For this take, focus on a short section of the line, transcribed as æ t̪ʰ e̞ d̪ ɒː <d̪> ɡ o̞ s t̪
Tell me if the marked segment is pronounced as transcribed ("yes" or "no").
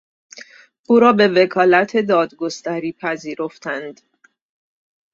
yes